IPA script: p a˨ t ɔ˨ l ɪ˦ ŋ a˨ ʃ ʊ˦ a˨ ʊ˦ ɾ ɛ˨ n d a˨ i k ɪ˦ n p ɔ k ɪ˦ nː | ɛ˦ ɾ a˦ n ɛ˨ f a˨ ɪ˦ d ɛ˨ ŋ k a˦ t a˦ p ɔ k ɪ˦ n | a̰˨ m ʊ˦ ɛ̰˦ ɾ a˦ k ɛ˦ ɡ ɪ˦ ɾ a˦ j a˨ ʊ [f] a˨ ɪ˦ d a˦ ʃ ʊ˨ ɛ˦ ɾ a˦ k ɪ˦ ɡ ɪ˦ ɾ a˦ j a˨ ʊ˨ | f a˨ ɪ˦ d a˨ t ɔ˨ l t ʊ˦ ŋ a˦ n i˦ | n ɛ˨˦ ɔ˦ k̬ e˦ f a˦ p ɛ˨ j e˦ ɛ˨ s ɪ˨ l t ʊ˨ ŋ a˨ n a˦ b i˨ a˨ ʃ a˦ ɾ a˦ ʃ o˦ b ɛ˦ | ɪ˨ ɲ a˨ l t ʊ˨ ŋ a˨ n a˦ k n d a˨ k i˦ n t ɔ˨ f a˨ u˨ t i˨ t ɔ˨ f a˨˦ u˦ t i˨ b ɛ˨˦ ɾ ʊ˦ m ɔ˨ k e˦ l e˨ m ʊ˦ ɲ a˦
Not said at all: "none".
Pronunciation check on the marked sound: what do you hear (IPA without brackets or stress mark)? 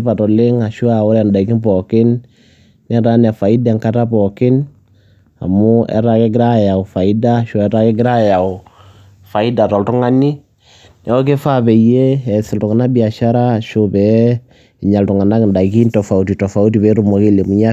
f